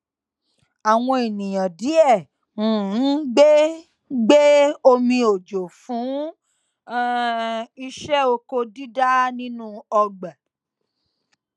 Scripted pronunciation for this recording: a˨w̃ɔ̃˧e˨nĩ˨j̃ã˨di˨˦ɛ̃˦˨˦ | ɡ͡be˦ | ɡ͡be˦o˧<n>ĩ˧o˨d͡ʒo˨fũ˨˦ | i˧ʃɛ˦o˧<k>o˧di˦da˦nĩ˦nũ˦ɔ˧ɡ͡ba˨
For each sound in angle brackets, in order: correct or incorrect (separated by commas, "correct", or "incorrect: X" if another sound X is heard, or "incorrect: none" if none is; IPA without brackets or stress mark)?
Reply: incorrect: m, correct